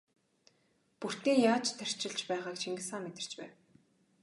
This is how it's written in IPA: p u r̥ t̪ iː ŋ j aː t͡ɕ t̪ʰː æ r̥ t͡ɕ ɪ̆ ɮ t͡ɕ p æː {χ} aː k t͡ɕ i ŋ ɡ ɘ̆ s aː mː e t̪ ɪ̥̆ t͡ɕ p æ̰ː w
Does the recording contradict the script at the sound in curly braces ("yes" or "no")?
yes